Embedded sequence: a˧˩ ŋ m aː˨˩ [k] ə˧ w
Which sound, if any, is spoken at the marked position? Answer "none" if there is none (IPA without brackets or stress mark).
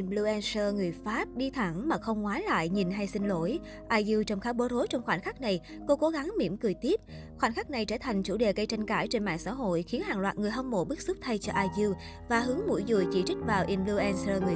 x